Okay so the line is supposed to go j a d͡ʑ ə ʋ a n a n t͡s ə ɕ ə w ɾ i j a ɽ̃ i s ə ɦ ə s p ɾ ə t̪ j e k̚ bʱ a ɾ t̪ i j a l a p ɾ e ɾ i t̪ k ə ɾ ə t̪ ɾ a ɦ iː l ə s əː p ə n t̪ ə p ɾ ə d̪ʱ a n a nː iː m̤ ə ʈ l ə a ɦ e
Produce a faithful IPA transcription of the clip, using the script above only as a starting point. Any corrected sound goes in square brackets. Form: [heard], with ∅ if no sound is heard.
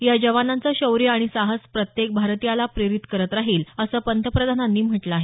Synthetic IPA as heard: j a d͡ʑ ə ʋ a n a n t͡s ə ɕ ə w ɾ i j a ɽ̃ i s [a] ɦ ə s p ɾ ə t̪ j e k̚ bʱ a ɾ t̪ i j a l a p ɾ e ɾ i t̪ k ə ɾ ə t̪ ɾ a ɦ iː l ə s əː p ə n t̪ ə p ɾ ə d̪ʱ a n a nː iː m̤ ə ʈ l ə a ɦ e